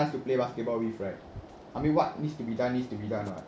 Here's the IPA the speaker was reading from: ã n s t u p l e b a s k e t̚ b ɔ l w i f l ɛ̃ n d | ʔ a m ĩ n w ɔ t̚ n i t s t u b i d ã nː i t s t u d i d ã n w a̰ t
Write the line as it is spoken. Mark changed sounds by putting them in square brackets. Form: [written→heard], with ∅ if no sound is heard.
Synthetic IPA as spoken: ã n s t u p l e b a s k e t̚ b ɔ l w i f [l→ɹ] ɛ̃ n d | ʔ a m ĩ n w ɔ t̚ n i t s t u b i d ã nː i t s t u [d→b] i d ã n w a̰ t

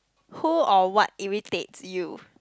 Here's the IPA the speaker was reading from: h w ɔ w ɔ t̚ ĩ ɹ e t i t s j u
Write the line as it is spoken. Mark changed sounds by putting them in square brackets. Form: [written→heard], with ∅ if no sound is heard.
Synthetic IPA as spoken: h [w→u] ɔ w ɔ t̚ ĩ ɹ [e→i] t [i→e] t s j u

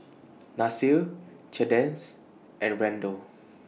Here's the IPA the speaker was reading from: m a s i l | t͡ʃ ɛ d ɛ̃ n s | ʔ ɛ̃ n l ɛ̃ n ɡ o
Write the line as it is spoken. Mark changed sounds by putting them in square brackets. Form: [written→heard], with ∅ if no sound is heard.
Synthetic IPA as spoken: [m→n] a s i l | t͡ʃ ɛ d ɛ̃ n s | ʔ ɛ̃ n [l→ɹ] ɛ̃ n [ɡ→d] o

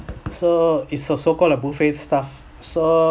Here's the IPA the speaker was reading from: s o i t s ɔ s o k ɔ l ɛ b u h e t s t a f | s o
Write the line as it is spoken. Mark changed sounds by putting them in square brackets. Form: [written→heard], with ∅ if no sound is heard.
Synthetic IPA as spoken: s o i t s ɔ s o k ɔ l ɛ b u [h→f] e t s t a f | s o

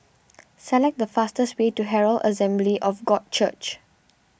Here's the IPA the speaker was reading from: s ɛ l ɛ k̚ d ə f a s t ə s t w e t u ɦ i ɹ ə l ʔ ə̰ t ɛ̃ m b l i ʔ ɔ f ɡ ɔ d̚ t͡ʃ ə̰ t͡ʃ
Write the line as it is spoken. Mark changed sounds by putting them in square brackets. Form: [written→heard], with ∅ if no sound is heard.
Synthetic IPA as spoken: s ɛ l ɛ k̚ d ə f a s t ə s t w e t u ɦ [i→ɛ] ɹ ə l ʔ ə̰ [t→s] ɛ̃ m b l i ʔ ɔ f ɡ ɔ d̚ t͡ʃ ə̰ t͡ʃ

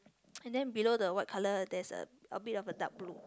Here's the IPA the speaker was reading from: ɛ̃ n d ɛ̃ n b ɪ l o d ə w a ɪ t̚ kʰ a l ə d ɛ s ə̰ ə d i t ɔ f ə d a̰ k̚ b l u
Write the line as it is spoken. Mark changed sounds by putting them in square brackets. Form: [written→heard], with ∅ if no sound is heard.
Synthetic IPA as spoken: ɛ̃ n d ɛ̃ n b [ɪ→i] l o d ə w a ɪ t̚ kʰ a l ə d ɛ s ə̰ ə [d→b] i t ɔ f ə d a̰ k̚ b l u

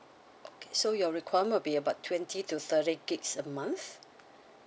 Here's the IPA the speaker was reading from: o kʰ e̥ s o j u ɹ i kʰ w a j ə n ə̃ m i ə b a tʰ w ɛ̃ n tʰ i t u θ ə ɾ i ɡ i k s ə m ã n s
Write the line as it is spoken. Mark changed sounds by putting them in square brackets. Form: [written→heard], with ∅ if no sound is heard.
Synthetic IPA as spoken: o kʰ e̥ s o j [u→ɔ] ɹ i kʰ w a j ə [n→m] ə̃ [m→b] i ə b a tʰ w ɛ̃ n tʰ i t u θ ə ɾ i ɡ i k s ə m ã n [s→θ]

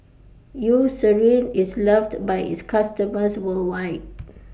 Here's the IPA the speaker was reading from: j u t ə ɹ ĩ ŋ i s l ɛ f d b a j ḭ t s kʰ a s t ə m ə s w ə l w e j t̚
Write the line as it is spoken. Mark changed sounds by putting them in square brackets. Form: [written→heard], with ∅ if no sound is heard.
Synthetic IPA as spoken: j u [t→s] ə ɹ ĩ [ŋ→n] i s l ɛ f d b a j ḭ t s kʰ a s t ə m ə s w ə l w [e→a] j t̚

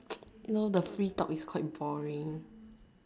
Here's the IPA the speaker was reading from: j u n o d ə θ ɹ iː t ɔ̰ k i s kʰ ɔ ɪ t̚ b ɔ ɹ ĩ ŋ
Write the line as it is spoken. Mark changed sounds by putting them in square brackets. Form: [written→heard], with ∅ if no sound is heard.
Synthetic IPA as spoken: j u n o d ə [θ→f] ɹ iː t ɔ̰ k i s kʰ ɔ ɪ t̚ b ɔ ɹ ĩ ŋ

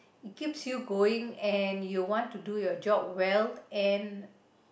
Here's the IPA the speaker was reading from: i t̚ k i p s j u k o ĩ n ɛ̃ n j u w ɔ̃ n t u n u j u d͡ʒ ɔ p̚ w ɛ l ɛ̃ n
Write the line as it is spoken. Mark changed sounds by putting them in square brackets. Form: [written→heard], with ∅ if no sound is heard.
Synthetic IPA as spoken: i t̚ k i p s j u [k→ɡ] o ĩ [n→ŋ] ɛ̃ n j u w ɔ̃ n t u [n→d] u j [u→ɔ] d͡ʒ ɔ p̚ w ɛ l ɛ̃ n

